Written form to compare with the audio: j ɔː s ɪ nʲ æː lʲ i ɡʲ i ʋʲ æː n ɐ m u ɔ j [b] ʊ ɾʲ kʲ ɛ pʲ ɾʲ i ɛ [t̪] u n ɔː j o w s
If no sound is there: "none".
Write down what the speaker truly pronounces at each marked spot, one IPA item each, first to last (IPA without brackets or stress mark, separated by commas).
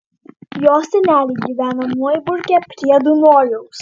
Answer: b, d̪